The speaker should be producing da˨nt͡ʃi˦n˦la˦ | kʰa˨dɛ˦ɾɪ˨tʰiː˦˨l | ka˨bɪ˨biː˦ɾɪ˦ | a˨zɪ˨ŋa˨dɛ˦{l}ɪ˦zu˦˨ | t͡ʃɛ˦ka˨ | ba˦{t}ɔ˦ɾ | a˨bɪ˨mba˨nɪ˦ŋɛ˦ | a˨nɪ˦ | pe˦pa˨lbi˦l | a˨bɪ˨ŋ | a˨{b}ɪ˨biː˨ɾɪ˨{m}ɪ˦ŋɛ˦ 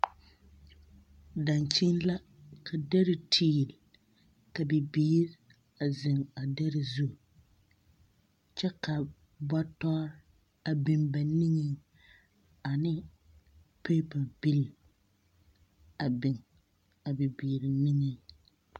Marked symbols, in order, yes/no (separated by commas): no, yes, yes, no